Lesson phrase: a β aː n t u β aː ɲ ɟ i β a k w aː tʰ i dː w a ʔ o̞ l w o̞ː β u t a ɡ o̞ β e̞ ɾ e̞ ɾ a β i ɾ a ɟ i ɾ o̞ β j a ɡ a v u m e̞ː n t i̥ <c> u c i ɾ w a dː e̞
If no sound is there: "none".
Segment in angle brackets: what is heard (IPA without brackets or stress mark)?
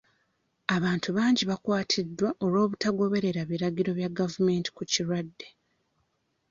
k